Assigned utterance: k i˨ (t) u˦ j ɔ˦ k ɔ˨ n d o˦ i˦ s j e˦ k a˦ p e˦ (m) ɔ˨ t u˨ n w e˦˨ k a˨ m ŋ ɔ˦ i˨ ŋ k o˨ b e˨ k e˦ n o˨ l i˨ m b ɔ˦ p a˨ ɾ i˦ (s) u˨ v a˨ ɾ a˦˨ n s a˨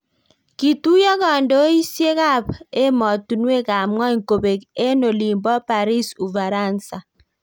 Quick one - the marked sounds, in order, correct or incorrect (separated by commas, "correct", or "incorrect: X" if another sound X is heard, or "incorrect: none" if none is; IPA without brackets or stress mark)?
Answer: correct, correct, correct